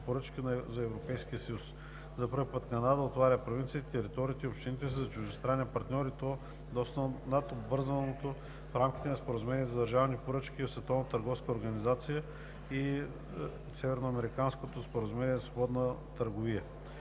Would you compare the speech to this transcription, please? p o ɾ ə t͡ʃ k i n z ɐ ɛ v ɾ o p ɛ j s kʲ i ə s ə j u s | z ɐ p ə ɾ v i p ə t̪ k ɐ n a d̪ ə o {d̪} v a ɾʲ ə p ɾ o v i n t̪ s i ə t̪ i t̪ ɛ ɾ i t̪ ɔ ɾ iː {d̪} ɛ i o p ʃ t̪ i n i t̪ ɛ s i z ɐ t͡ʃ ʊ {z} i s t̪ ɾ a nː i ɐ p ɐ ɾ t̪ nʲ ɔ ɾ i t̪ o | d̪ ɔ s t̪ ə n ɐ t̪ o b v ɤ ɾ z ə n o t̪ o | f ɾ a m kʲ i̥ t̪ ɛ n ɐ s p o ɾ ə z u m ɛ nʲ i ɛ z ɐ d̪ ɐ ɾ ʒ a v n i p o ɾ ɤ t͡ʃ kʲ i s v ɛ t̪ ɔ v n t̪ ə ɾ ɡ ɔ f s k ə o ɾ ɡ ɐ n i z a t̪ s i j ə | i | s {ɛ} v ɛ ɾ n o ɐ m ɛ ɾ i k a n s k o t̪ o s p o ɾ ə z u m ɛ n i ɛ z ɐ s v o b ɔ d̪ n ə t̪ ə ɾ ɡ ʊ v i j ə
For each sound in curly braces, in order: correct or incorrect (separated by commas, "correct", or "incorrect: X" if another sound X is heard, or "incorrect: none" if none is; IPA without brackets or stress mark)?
incorrect: t̪, incorrect: t̪, incorrect: ʒ, correct